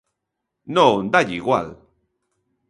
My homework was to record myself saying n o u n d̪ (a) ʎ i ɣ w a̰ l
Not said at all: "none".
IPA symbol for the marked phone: a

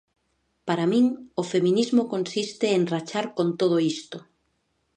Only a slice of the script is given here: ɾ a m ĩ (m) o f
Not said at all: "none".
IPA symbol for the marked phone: ŋ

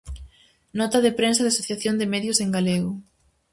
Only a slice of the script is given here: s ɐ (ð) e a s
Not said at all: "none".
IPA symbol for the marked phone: ð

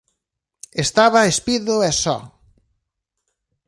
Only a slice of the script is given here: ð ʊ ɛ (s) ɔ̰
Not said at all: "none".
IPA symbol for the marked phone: s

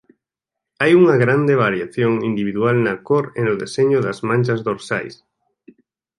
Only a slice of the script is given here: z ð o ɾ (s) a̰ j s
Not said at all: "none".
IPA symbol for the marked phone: s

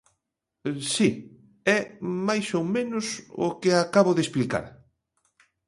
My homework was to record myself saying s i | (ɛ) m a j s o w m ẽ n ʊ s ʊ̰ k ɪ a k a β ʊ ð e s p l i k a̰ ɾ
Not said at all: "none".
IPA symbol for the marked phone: ɛ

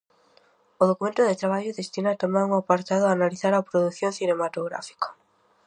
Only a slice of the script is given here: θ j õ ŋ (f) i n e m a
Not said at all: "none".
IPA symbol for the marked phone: θ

